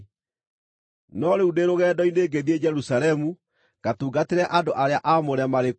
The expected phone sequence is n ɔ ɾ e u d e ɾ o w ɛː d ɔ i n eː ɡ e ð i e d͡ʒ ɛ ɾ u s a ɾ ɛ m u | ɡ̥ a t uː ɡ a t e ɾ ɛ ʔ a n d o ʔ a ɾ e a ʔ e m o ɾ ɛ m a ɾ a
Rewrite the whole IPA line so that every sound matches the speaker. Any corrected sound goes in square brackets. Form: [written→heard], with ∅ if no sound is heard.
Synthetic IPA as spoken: n ɔ ɾ e u d e ɾ o [w→ɣ] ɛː d ɔ i n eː ɡ e ð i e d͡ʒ ɛ ɾ u s a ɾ ɛ m u | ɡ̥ a t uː ɡ a t e ɾ ɛ ʔ a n d o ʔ a ɾ e a ʔ [e→a] m o ɾ ɛ m a ɾ [a→e]

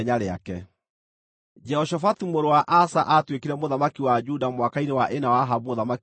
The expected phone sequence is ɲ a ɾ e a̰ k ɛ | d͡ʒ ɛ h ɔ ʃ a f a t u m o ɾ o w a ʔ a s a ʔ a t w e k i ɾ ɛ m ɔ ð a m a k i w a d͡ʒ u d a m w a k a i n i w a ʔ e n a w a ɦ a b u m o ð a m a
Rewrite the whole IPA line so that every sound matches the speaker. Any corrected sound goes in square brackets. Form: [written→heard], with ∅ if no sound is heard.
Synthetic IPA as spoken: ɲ a ɾ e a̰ k ɛ | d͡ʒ ɛ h ɔ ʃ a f a t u m o ɾ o w a ʔ a s a ʔ a t w e k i ɾ ɛ m [ɔ→o] ð a m a k i w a d͡ʒ u d a m w a k a i n [i→e] w a ʔ e n a w a ɦ a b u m o ð a m a

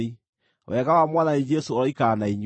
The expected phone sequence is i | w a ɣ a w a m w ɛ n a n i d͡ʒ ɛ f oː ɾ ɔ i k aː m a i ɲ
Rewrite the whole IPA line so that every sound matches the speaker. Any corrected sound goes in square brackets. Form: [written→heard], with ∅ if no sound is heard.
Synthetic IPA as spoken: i | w [a→ɛ] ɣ a w a m w [ɛ→a] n a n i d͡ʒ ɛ [f→s] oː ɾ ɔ i k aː [m→n] a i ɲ

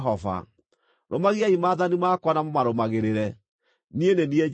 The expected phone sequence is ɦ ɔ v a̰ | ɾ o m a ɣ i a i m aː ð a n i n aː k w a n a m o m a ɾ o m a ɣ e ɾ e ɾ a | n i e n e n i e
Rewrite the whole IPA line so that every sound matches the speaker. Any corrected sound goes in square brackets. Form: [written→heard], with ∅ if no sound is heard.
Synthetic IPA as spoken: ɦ ɔ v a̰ | ɾ o m a ɣ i a i m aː ð a n i [n→m] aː k w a n a m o m a ɾ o m a ɣ e ɾ e ɾ [a→ɛ] | n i e n e n i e

